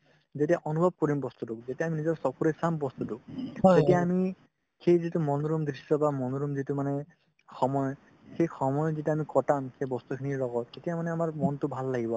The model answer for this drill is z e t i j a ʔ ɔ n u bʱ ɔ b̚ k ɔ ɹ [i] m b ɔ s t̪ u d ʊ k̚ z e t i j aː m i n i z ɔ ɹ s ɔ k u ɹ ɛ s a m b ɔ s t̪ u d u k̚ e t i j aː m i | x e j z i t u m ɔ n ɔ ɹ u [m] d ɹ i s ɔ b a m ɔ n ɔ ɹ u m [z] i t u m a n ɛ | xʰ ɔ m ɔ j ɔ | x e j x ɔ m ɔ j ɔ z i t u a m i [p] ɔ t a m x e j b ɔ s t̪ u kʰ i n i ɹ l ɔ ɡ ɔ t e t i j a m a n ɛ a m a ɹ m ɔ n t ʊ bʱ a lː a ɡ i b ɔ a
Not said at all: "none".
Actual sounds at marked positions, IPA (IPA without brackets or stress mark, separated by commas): i, m, z, k